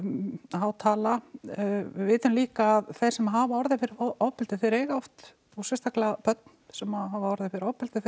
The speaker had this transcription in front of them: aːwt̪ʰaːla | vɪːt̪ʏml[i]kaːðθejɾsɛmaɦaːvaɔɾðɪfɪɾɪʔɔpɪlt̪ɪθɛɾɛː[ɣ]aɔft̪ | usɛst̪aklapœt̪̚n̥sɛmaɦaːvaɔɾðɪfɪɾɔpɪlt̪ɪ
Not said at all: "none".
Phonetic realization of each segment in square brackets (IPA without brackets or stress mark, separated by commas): iː, ɣ